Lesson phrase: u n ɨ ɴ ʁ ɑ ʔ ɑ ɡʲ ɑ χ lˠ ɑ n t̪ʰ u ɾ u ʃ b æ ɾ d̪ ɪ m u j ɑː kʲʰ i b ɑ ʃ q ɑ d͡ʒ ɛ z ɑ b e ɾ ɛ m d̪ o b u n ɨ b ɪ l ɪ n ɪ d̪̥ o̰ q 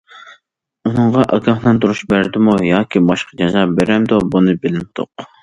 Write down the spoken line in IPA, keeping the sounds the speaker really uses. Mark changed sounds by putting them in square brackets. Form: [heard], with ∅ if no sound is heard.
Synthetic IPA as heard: u n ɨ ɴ ʁ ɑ ʔ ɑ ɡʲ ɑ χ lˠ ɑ n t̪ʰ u ɾ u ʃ b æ ɾ d̪ ɪ m u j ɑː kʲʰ i b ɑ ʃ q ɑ d͡ʒ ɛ z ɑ b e ɾ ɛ m d̪ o b u n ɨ b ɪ l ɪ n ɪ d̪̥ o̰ q